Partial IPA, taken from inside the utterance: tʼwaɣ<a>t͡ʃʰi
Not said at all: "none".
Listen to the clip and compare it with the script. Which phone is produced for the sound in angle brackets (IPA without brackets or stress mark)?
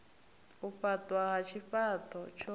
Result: a